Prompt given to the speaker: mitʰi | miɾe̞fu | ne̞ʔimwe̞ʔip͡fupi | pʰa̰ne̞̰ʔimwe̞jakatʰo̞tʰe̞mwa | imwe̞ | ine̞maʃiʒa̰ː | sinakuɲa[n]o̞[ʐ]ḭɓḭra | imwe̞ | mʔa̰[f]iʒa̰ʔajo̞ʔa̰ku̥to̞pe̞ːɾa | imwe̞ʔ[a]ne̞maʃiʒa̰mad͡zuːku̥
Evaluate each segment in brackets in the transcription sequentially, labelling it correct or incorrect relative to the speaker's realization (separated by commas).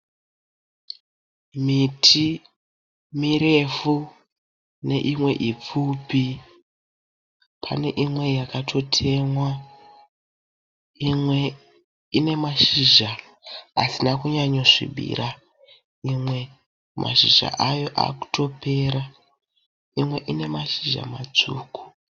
incorrect, correct, incorrect, incorrect